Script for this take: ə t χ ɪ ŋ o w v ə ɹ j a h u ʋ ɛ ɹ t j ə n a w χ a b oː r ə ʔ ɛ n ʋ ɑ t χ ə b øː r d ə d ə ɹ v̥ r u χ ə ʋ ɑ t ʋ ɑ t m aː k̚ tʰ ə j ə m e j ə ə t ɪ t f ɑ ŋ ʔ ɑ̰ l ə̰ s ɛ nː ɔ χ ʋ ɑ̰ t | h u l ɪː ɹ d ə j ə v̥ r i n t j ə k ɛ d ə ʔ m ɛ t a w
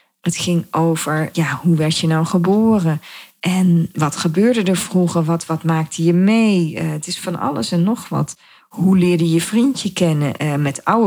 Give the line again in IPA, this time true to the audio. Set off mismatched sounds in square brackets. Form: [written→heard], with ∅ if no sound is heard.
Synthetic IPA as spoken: ə t χ ɪ ŋ o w v ə ɹ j a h u ʋ ɛ ɹ t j ə n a w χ [a→ə] b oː r ə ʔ ɛ n ʋ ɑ t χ ə b øː [r→ɹ] d ə d ə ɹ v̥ r u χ ə ʋ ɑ t ʋ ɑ t m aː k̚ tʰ ə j ə m e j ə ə t ɪ [t→s] f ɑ [ŋ→n] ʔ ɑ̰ l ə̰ s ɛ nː ɔ χ ʋ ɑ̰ t | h u l ɪː ɹ d ə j ə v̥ r i n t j ə k ɛ [d→n] ə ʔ m ɛ t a w